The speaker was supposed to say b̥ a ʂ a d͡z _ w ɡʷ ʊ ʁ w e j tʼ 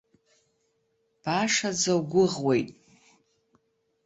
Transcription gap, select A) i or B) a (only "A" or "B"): B